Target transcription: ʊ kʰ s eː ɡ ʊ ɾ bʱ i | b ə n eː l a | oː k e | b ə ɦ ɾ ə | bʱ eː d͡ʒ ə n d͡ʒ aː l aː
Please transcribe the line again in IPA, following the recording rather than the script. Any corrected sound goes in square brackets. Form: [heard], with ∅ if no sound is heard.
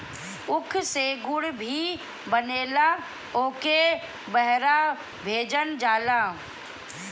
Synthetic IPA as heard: ʊ kʰ s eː ɡ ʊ [ɽ] bʱ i | b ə n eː l a | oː k e | b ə ɦ ɾ [a] | bʱ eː d͡ʒ ə n d͡ʒ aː l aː